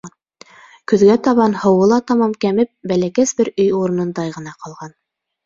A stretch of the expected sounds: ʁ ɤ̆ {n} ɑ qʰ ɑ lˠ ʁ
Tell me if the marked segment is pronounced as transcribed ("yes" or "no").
yes